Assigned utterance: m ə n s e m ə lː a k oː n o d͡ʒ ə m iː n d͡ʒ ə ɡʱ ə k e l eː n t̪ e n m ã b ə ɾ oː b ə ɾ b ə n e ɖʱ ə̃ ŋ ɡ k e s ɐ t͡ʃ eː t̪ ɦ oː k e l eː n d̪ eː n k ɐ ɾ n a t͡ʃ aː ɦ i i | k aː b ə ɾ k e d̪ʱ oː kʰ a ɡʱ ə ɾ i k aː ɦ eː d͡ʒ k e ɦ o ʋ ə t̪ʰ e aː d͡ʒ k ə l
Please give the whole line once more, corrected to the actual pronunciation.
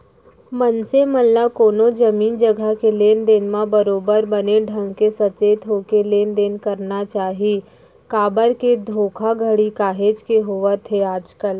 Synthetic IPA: m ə n s e m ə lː a k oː n o d͡ʒ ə m iː n d͡ʒ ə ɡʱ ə k e l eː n d̪ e n m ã b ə ɾ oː b ə ɾ b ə n e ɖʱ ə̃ ŋ ɡ k e s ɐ t͡ʃ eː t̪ ɦ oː k e l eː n d̪ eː n k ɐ ɾ n a t͡ʃ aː ɦ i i | k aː b ə ɾ k e d̪ʱ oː kʰ a ɡʱ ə ɽ i k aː ɦ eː d͡ʒ k e ɦ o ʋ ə t̪ʰ e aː d͡ʒ k ə l